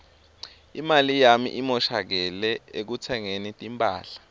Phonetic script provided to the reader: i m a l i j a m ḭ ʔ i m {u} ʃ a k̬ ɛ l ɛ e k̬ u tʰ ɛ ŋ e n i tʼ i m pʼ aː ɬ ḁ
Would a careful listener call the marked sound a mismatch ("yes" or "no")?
yes